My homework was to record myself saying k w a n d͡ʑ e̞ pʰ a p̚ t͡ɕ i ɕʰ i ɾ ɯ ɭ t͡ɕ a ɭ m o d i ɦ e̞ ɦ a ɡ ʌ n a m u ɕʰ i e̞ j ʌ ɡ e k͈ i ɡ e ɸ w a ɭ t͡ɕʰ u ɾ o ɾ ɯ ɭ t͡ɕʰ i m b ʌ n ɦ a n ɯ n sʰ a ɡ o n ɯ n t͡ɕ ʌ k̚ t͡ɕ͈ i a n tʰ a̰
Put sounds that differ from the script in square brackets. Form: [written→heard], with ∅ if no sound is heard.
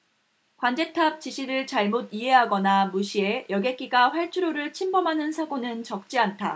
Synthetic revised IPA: k w a n d͡ʑ e̞ [pʰ→tʰ] a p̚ t͡ɕ i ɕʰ i ɾ ɯ ɭ t͡ɕ a ɭ m o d i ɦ e̞ ɦ a ɡ ʌ n a m u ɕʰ i e̞ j ʌ ɡ e k͈ i ɡ [e→a] ɸ w a ɭ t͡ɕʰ u ɾ o ɾ ɯ ɭ t͡ɕʰ i m b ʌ [n→m] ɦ a n ɯ n sʰ a ɡ o n ɯ n t͡ɕ ʌ k̚ t͡ɕ͈ i a n tʰ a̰